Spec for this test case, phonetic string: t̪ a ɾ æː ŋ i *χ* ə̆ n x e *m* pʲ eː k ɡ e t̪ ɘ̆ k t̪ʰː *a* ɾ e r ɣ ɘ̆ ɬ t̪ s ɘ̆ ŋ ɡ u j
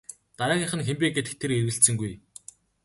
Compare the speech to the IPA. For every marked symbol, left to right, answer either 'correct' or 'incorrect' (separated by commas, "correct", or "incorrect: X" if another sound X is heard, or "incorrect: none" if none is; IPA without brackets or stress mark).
correct, correct, incorrect: e